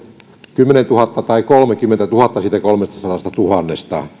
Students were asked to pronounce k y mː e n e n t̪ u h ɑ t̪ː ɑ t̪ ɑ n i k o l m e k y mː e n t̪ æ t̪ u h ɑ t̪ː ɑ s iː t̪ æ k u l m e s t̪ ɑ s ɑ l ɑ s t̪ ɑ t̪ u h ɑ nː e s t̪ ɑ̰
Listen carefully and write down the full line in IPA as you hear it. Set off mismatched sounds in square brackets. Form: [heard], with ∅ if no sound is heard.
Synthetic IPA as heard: k y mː e n e n t̪ u h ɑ t̪ː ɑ t̪ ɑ [∅] i k o l m e k y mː e n t̪ æ t̪ u h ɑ t̪ː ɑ s iː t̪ æ k [o] l m e s t̪ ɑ s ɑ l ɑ s t̪ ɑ t̪ u h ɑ nː e s t̪ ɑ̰

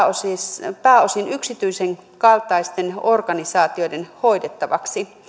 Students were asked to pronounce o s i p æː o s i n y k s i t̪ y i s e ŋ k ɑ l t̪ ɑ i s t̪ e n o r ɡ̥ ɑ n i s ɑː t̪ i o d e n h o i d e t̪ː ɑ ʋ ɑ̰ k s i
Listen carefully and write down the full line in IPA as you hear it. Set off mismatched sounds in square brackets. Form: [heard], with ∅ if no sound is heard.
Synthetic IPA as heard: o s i p æː o s i n y k s i t̪ y i s e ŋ k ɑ l t̪ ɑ i s t̪ e n o r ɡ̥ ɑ n i s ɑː t̪ i o d e n h o i d e t̪ː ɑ ʋ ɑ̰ k s i

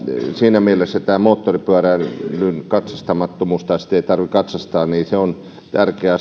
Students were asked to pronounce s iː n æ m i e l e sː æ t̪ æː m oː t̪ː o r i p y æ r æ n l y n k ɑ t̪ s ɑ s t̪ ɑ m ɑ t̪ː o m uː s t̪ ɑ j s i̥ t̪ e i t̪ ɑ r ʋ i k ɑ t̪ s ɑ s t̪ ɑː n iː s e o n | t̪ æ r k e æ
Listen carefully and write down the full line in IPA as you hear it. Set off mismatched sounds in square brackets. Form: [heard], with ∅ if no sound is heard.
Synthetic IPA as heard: s iː n æ m i e l e sː æ t̪ æː m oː t̪ː o r i p y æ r æ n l y n k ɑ t̪ s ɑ s t̪ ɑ m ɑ t̪ː o m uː s t̪ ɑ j s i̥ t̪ e i t̪ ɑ r ʋ i k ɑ t̪ s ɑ s t̪ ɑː n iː s e o n | t̪ æ r k e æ

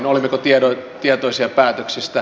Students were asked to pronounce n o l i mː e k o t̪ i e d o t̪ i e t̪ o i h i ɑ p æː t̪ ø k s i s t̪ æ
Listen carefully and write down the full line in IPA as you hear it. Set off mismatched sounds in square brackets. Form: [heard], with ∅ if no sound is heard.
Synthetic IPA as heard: n o l i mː e k o t̪ i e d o t̪ i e t̪ o i [s] i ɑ p æː t̪ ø k s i s t̪ æ

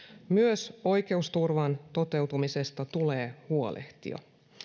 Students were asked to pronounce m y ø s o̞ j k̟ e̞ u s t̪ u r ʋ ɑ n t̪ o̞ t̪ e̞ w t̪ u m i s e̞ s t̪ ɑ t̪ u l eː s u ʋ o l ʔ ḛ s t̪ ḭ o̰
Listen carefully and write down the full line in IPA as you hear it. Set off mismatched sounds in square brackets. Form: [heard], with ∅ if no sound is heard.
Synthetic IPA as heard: m y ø s o̞ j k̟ e̞ u s t̪ u r ʋ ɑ n t̪ o̞ t̪ e̞ w t̪ u m i s e̞ s t̪ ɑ t̪ u l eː [h] u [∅] o l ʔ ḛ [h] t̪ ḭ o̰

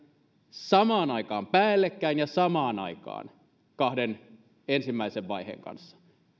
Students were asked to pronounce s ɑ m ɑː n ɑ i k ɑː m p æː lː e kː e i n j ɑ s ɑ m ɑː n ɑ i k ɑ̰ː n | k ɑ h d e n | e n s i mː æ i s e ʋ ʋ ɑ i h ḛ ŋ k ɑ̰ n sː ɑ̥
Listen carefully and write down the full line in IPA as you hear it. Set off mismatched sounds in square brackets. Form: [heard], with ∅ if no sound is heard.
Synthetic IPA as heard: s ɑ m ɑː n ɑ i k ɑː m p æː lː e kː [æ] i n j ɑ s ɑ m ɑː n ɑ i k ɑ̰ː n | k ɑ h d e n | e n s i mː æ i s e ʋ ʋ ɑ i h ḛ ŋ k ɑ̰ n sː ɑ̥

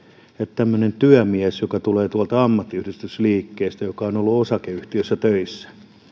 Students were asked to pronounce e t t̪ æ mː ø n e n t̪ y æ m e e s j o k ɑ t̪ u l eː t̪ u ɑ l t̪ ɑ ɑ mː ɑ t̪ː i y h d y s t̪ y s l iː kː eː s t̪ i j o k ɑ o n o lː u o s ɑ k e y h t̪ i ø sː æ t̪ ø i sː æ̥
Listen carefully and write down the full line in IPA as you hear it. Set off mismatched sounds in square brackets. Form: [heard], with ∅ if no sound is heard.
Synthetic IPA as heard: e t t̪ æ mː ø n e n t̪ y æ m [i] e s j o k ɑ t̪ u l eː t̪ u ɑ l t̪ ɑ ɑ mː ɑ t̪ː i y h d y s t̪ y s l iː kː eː s t̪ [æ] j o k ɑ o n o lː u o s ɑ k e y h t̪ i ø sː æ t̪ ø i sː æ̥

